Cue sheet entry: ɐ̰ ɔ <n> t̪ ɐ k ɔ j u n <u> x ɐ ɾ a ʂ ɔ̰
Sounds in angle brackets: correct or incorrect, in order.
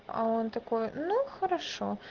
correct, correct

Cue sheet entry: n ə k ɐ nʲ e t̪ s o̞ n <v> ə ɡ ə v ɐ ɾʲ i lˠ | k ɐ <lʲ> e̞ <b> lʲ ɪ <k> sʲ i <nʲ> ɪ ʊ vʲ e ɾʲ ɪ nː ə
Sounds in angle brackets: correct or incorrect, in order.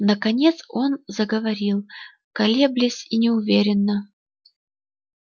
incorrect: z, correct, correct, incorrect: none, correct

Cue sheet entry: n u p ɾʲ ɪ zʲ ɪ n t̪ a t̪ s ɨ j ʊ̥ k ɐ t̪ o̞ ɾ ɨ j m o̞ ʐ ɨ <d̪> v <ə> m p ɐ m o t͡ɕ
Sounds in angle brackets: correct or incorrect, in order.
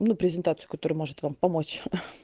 incorrect: t̪, incorrect: a

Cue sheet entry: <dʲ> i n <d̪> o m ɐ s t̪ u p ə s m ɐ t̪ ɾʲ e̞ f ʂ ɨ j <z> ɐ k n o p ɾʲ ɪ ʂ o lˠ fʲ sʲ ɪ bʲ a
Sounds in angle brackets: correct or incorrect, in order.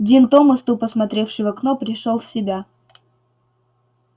correct, incorrect: t̪, incorrect: v

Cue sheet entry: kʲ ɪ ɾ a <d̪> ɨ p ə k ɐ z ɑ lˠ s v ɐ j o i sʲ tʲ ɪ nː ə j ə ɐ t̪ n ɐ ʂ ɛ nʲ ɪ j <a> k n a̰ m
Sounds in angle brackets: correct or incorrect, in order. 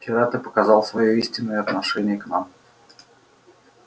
incorrect: t̪, incorrect: ə

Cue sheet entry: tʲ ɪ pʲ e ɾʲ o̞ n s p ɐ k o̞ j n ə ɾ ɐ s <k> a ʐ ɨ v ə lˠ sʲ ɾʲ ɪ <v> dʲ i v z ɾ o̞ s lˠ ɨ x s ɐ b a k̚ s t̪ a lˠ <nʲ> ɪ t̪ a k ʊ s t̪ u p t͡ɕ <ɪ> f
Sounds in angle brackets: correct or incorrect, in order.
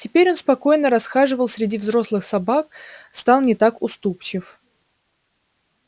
incorrect: x, incorrect: none, correct, correct

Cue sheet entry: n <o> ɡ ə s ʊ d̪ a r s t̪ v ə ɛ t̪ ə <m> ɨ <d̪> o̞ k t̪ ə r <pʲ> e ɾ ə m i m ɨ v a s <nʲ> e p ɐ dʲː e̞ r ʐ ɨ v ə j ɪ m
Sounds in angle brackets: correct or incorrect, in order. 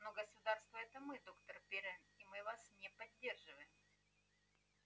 correct, correct, correct, correct, correct

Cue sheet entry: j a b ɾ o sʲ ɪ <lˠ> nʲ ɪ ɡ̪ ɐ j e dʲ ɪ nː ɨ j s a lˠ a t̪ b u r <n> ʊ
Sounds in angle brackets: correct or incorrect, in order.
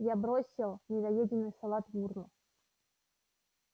correct, correct

